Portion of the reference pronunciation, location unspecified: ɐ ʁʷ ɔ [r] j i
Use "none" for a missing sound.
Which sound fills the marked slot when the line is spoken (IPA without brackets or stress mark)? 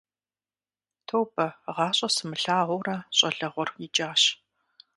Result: r